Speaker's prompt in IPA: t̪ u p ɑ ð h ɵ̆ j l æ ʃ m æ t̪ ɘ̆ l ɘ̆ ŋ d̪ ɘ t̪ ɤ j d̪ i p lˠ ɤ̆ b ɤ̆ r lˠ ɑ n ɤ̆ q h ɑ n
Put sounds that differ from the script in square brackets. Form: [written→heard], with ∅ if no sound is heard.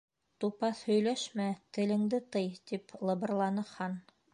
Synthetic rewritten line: t̪ u p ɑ [ð→θ] h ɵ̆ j l æ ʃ m æ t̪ ɘ̆ l ɘ̆ ŋ d̪ ɘ t̪ ɤ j [d̪→t̪] i p lˠ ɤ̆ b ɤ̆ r lˠ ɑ n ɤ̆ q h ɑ n